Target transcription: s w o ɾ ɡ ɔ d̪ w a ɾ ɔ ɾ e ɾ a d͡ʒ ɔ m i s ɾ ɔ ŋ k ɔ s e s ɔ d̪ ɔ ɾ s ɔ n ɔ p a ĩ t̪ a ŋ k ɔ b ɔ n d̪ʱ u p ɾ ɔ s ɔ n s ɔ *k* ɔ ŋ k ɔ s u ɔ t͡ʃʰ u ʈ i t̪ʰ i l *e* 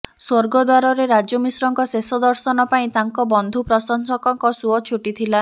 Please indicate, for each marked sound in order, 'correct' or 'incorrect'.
correct, incorrect: a

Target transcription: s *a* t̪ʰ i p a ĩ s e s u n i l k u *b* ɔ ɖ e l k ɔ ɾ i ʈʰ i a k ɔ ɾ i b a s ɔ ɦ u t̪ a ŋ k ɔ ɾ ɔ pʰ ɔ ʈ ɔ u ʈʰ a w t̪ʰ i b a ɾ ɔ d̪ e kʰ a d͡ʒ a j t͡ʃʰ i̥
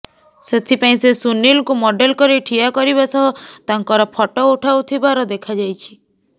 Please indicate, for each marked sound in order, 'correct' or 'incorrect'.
incorrect: e, incorrect: m

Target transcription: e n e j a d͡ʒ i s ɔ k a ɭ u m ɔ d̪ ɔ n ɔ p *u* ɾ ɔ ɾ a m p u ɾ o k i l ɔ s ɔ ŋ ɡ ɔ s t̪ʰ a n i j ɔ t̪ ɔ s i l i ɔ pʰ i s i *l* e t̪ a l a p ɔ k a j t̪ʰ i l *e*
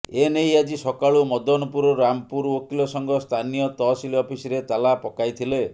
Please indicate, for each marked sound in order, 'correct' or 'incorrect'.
correct, incorrect: ɾ, correct

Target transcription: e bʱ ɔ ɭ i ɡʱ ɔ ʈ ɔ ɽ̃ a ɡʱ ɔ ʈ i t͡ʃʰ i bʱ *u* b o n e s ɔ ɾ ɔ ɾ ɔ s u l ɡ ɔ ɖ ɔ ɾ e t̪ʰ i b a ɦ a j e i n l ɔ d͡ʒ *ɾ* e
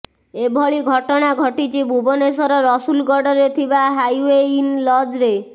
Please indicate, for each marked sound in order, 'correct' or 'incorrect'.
correct, correct

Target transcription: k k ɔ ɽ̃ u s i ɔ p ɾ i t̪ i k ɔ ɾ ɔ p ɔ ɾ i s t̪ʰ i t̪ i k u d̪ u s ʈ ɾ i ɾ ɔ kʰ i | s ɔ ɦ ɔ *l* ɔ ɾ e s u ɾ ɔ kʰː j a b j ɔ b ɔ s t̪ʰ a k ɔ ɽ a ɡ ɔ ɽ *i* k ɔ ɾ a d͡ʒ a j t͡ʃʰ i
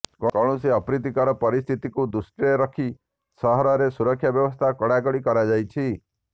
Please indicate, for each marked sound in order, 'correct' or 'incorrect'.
incorrect: ɾ, correct

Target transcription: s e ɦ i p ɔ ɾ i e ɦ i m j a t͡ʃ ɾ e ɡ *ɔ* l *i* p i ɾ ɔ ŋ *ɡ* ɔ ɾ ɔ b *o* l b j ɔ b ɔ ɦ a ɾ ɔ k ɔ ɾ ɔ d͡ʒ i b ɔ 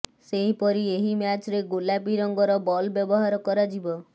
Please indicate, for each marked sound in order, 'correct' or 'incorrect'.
incorrect: o, incorrect: a, correct, incorrect: ɔ

